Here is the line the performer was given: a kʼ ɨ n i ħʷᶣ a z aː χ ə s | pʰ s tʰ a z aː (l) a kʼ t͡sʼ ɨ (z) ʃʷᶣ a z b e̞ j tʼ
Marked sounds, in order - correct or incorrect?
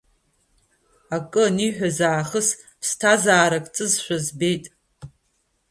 incorrect: ɾ, correct

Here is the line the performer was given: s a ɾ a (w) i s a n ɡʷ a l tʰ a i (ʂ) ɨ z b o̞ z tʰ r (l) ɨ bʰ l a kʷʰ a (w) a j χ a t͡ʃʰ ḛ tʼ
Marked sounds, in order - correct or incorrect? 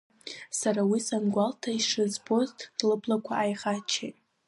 correct, correct, correct, incorrect: none

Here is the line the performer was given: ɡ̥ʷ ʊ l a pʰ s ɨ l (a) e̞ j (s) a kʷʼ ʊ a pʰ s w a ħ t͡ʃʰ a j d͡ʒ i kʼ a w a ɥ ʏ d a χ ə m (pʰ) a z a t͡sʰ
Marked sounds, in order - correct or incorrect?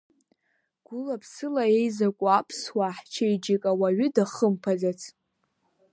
correct, incorrect: z, correct

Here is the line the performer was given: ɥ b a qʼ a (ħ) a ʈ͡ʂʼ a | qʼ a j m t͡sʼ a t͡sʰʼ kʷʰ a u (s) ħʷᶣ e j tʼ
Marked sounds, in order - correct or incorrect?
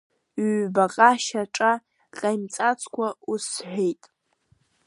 incorrect: ʃ, correct

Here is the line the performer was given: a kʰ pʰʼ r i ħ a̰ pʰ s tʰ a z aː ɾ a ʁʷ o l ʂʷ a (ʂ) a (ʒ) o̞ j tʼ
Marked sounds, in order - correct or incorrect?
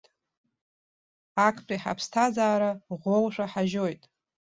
incorrect: ħ, correct

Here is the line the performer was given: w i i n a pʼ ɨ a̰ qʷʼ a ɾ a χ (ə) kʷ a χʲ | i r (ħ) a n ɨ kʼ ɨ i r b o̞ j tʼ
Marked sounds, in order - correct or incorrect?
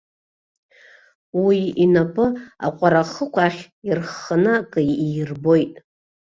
correct, incorrect: χ

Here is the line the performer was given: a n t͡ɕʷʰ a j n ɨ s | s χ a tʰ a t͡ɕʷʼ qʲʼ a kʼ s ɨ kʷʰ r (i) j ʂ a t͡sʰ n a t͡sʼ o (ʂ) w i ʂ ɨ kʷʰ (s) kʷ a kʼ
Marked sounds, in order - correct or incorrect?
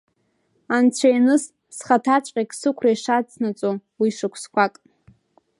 incorrect: a, incorrect: none, correct

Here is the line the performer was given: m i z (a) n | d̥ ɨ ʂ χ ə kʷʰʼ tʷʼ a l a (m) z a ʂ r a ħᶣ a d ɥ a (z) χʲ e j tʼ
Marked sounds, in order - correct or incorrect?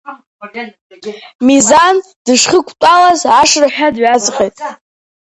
correct, incorrect: none, correct

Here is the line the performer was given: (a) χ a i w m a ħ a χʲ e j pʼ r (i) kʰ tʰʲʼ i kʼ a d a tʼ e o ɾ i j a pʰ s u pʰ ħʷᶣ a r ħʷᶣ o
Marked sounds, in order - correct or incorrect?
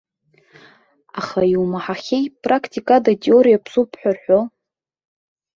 correct, incorrect: a

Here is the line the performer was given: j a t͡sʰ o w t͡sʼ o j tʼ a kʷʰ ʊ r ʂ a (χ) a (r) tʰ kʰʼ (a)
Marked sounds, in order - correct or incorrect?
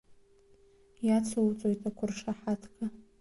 incorrect: ħ, incorrect: none, correct

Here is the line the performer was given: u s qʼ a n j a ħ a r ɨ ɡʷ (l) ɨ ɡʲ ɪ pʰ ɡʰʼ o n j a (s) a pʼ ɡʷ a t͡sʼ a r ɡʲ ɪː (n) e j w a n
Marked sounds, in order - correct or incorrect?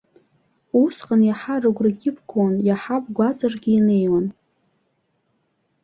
incorrect: r, incorrect: ħ, correct

